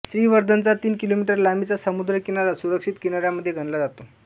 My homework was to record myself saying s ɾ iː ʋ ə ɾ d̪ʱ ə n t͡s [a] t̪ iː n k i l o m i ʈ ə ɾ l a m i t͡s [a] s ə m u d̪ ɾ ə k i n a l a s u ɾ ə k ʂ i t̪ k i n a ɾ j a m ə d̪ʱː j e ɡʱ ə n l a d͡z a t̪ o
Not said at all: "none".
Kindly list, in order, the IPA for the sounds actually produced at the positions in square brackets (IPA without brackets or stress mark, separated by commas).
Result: a, a